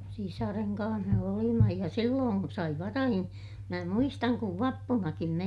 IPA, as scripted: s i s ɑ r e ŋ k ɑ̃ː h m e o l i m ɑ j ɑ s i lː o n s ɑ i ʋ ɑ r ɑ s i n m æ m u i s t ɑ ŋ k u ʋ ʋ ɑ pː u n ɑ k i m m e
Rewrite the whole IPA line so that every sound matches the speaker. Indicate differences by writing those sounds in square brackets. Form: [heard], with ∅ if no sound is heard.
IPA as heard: s i s ɑ r e ŋ k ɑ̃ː h m e o l i m ɑ j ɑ s i lː [oː] n s ɑ i ʋ ɑ r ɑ [h] i n m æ m u i s t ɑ ŋ k u ʋ ʋ ɑ pː u n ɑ k i m m e